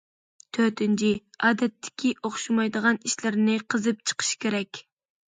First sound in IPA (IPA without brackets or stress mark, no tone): t̪ʰ